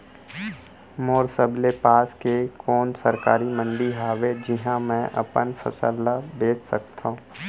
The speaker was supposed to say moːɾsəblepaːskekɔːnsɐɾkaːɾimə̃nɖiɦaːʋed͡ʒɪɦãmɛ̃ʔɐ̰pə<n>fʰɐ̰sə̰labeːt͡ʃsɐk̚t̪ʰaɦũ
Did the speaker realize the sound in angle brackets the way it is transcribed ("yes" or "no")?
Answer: yes